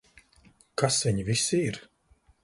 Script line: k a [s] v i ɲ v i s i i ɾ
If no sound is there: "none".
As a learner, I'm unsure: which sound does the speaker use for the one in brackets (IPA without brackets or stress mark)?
s